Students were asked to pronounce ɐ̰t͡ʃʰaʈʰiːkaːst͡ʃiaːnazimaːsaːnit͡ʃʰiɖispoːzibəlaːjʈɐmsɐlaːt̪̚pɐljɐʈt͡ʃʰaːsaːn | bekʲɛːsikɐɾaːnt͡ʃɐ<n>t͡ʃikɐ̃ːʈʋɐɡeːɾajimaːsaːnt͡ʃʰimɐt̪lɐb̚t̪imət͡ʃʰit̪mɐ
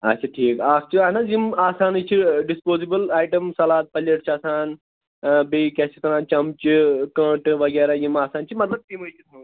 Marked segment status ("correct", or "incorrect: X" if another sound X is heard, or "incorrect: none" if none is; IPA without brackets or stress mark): incorrect: m